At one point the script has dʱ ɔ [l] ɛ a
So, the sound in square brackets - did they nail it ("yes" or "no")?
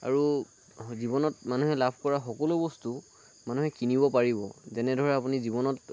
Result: no